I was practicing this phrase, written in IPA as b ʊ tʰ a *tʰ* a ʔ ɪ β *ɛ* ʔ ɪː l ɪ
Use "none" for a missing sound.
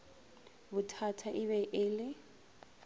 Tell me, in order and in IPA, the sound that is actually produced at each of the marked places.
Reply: tʰ, ɛ

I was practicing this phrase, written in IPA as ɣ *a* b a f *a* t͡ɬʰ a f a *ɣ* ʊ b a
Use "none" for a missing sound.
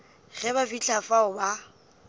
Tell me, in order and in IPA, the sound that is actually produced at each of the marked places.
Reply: ɛ, i, none

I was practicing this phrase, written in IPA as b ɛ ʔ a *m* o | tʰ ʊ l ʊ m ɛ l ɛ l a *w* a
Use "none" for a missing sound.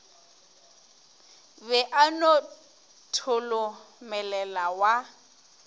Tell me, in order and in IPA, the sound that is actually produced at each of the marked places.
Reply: n, w

